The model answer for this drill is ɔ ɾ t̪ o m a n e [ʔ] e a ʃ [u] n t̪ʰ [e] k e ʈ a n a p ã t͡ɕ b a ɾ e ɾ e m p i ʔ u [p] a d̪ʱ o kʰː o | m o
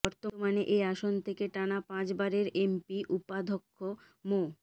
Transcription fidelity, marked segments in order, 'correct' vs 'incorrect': correct, incorrect: o, correct, correct

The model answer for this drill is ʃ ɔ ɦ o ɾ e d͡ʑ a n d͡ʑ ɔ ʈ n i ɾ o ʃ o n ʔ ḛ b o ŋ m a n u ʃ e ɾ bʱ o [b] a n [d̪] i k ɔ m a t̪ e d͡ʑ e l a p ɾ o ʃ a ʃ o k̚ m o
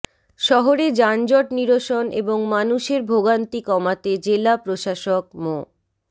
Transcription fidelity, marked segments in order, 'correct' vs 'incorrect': incorrect: ɡ, incorrect: t̪

